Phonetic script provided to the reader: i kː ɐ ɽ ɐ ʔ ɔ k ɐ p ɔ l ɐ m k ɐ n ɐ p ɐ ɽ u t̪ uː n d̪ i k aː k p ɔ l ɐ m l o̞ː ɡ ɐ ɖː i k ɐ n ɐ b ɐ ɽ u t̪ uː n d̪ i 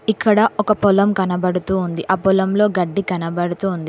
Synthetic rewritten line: i kː ɐ ɽ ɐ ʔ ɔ k ɐ p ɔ l ɐ m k ɐ n ɐ b ɐ ɽ u t̪ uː n d̪ i ʔ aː p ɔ l ɐ m l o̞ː ɡ ɐ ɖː i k ɐ n ɐ b ɐ ɽ u t̪ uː n d̪ i